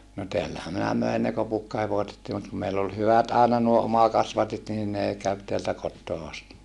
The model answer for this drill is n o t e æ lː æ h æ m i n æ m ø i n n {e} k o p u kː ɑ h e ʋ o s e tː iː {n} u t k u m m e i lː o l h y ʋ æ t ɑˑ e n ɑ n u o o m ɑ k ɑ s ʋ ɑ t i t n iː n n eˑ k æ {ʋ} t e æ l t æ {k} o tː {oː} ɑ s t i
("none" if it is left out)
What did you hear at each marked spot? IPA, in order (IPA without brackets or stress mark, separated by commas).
e, m, ʋ, k, oː